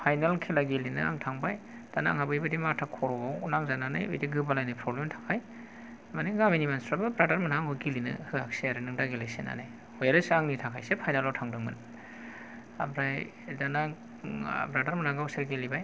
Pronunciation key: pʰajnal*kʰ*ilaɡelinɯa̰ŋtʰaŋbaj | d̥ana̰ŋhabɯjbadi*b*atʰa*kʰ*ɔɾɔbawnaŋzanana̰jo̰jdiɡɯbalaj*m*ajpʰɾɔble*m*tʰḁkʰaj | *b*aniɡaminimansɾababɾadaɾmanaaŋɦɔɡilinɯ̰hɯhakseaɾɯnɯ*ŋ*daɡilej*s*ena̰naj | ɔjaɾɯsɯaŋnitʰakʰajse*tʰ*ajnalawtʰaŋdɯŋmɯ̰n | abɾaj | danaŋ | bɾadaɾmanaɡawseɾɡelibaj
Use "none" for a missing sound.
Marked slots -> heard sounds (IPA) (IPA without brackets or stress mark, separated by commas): kʰ, m, kʰ, n, m, m, ŋ, s, pʰ